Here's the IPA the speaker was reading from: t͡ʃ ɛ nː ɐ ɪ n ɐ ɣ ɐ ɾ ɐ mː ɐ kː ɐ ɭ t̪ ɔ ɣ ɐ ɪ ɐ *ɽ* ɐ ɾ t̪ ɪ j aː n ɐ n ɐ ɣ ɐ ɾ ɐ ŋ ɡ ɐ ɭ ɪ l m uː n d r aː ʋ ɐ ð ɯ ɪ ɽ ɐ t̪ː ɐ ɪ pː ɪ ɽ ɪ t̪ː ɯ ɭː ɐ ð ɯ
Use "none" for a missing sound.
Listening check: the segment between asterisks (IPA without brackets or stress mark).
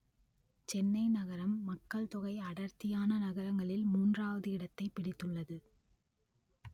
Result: ɽ